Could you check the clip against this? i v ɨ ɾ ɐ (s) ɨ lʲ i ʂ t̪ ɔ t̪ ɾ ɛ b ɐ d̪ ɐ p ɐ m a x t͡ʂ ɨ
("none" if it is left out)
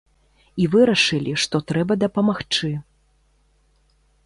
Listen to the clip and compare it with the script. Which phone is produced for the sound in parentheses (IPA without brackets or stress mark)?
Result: ʂ